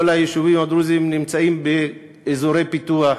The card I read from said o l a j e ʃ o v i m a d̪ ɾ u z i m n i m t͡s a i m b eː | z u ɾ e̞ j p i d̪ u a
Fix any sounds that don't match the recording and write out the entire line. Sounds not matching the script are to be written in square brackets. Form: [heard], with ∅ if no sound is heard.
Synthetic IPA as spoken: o l a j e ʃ [u] v i m a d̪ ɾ u z i m n i m t͡s a i m b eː | z [o] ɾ e̞ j p i [t̪] u a